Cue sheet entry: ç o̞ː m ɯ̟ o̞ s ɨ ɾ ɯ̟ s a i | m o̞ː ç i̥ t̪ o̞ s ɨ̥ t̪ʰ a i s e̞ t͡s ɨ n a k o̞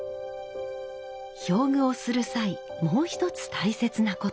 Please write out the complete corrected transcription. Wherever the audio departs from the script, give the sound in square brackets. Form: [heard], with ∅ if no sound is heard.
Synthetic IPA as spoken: ç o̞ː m ɯ̟ o̞ s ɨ ɾ ɯ̟ s a i | m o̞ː ç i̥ t̪ o̞ [t͡s] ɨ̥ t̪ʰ a i s e̞ t͡s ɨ n a k o̞